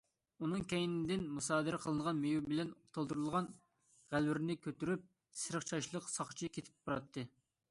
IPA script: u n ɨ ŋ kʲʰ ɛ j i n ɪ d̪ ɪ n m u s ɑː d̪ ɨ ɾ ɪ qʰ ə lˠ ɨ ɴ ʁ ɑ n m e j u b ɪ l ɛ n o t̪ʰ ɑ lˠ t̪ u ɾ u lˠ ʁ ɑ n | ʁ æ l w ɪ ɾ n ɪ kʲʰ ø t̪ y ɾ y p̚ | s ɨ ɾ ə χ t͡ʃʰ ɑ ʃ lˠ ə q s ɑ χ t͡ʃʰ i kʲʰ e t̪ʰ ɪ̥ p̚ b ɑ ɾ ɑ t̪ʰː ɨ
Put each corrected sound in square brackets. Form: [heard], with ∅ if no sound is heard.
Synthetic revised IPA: u n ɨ ŋ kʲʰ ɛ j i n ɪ d̪ ɪ n m u s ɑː d̪ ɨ ɾ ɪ qʰ ə lˠ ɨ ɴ ʁ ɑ n m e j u b ɪ l ɛ n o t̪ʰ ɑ lˠ [d̪] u ɾ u lˠ ʁ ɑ n | ʁ æ l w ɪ ɾ n ɪ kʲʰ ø t̪ y ɾ y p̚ | s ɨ ɾ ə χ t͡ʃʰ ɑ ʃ lˠ ə q s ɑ χ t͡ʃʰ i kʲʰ e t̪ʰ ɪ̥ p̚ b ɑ ɾ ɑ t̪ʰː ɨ